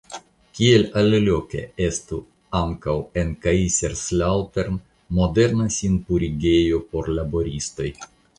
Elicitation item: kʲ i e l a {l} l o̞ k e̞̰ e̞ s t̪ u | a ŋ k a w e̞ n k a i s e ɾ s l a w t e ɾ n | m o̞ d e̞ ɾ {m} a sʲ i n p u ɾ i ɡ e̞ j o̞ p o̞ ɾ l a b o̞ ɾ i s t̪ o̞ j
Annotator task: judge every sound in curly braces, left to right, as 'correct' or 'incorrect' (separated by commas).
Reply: correct, incorrect